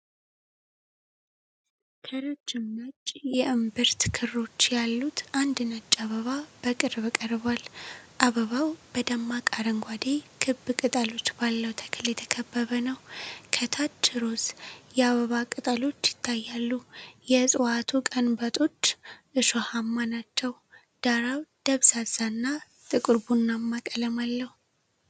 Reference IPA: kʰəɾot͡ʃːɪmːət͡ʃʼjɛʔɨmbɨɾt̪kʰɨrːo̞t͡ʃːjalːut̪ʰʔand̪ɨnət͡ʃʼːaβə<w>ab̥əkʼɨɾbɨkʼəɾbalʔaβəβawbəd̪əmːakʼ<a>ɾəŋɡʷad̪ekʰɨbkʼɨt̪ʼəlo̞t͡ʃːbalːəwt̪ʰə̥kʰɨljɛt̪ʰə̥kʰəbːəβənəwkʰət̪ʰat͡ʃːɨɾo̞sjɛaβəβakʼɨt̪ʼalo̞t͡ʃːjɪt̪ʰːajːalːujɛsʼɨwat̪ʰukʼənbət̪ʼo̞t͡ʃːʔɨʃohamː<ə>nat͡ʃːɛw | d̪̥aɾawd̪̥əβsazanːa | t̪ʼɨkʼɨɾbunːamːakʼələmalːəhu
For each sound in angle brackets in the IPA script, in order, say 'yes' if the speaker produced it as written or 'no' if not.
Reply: no, yes, no

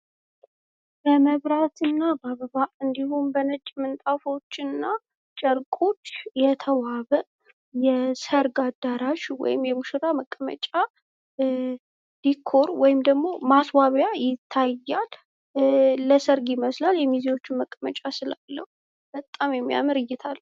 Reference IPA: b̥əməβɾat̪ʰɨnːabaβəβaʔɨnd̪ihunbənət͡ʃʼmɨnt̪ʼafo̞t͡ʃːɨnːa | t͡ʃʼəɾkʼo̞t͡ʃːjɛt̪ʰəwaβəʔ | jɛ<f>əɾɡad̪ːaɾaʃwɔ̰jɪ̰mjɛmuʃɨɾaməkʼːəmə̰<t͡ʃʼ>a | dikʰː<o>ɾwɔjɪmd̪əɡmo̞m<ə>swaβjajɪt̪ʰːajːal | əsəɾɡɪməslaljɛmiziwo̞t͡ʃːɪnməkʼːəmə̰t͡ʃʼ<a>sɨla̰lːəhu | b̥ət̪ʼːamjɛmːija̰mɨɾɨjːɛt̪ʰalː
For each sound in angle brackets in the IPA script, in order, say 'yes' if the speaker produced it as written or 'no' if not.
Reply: no, yes, yes, no, yes

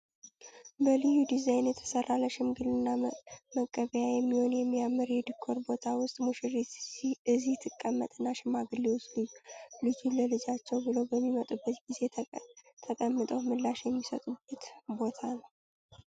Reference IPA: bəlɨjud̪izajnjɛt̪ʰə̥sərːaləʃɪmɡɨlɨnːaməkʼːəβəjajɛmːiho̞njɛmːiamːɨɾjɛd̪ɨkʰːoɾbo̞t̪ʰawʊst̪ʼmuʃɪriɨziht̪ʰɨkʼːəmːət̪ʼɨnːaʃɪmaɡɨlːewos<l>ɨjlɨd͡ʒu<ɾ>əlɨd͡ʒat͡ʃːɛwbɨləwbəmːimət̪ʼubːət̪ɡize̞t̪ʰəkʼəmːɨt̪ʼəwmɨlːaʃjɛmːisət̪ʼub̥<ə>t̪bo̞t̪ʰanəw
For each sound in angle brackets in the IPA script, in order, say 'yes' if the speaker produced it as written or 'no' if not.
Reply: yes, no, yes

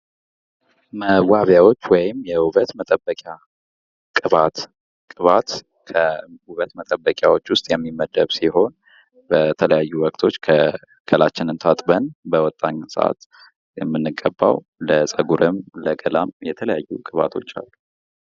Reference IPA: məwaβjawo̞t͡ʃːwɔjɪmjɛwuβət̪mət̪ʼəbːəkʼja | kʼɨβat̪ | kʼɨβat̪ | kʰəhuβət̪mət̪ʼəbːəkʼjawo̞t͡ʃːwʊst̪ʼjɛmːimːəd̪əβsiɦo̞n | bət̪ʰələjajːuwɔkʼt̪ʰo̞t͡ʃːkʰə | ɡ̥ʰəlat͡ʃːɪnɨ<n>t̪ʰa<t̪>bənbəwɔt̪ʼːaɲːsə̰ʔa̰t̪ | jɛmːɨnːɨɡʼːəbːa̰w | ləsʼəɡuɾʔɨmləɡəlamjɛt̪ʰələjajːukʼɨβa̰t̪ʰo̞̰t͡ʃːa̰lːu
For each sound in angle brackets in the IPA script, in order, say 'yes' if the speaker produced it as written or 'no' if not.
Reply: yes, no

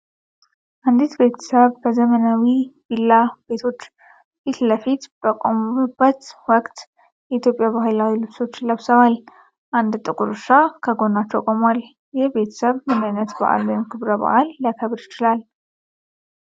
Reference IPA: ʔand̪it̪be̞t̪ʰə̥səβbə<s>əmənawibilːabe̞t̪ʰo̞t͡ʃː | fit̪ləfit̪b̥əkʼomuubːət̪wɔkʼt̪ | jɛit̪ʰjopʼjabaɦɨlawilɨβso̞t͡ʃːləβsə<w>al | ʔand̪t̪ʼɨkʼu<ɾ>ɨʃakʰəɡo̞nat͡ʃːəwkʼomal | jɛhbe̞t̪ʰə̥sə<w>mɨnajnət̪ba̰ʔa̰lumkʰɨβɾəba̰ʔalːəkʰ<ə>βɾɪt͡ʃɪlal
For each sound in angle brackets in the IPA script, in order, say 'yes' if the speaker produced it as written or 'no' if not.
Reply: no, no, yes, no, yes

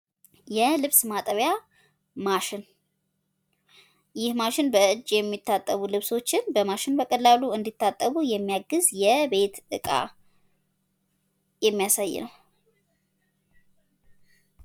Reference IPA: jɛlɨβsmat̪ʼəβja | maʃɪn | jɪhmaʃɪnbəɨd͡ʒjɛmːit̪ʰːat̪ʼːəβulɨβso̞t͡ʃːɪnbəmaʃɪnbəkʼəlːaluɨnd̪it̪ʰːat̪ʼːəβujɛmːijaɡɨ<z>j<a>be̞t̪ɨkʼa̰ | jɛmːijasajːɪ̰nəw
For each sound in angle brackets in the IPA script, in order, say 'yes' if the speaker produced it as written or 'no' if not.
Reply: yes, no

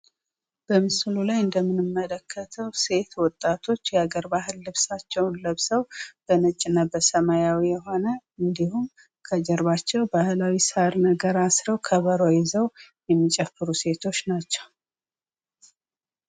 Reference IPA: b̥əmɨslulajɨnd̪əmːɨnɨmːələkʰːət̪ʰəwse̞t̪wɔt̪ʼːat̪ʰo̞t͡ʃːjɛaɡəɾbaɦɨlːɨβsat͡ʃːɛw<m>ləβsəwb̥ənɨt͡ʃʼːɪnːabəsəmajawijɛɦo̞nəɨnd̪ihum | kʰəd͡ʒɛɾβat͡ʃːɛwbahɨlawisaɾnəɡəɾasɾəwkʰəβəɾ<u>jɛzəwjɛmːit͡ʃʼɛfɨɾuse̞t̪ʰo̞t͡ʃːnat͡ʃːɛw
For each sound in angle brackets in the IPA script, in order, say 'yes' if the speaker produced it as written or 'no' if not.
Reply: no, no

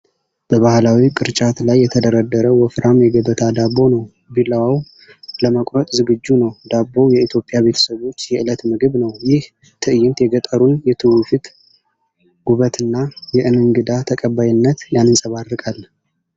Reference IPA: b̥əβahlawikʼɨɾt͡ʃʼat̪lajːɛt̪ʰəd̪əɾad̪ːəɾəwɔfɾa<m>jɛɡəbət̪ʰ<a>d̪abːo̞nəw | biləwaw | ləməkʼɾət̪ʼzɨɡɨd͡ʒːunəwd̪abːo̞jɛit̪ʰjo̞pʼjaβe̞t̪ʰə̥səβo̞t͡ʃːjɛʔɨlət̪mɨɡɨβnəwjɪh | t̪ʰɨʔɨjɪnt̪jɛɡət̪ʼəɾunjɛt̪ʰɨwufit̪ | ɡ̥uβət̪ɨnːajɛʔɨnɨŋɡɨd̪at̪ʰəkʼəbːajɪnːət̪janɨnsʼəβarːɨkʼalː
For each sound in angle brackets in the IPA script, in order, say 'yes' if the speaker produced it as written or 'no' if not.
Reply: yes, yes

